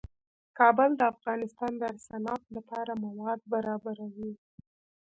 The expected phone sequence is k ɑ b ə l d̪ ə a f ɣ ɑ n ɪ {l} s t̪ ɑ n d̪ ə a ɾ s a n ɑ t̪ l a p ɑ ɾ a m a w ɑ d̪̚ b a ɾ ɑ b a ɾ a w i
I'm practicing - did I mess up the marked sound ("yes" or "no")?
yes